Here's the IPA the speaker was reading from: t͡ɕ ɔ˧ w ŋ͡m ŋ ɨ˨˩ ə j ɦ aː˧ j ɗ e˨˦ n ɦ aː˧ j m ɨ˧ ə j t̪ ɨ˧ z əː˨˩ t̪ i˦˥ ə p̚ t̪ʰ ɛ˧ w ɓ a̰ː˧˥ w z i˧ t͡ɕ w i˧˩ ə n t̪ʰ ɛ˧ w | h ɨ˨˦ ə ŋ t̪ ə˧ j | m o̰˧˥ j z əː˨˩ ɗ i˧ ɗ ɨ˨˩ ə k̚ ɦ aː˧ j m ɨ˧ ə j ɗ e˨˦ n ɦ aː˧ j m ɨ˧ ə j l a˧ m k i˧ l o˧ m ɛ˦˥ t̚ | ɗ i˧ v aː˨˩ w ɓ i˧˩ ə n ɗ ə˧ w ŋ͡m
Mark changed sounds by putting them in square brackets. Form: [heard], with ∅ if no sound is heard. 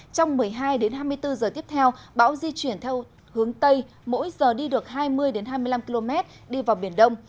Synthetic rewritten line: t͡ɕ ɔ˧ w ŋ͡m [m] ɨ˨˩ ə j ɦ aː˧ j ɗ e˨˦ n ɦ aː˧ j m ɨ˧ ə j t̪ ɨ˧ z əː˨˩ t̪ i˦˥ ə p̚ t̪ʰ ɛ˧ w ɓ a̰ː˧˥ w z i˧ t͡ɕ w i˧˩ ə n t̪ʰ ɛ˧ w | h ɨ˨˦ ə ŋ t̪ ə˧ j | m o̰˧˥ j z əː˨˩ ɗ i˧ ɗ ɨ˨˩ ə k̚ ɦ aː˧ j m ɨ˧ ə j ɗ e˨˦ n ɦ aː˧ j m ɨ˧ ə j l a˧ m k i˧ l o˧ m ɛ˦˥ t̚ | ɗ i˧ v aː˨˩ w ɓ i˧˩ ə n ɗ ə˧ w ŋ͡m